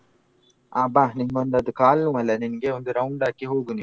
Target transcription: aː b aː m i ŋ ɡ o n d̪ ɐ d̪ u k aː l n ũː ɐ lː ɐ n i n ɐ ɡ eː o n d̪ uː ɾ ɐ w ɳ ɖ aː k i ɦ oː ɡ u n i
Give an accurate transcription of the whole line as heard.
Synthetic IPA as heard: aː b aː n i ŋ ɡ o n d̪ ɐ d̪ u k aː l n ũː ɐ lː ɐ n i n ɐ ɡ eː o n d̪ u ɾ ɐ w ɳ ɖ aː k i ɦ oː ɡ u n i